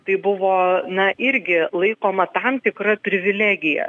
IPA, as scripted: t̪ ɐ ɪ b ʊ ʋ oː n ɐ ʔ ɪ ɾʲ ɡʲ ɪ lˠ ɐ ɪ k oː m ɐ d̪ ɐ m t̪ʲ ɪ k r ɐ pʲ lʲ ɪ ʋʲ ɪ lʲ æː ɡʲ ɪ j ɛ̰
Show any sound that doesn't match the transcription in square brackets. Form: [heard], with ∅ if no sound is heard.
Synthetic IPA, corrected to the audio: t̪ ɐ ɪ b ʊ ʋ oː n ɐ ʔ ɪ ɾʲ ɡʲ ɪ lˠ ɐ ɪ k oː m ɐ [t̪] ɐ m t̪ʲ ɪ k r ɐ pʲ [ɾʲ] ɪ ʋʲ ɪ lʲ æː ɡʲ ɪ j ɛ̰